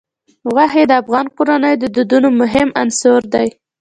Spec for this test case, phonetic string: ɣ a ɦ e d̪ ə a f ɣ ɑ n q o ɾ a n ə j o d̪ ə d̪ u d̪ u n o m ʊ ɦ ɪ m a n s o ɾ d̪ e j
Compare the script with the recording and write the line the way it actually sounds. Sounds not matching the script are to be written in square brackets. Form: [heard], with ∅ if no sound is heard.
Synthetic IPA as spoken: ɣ a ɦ e d̪ ə a f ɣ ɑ n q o ɾ a n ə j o d̪ ə d̪ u d̪ u n o m ʊ ɦ ɪ m a n s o ɾ d̪ [a] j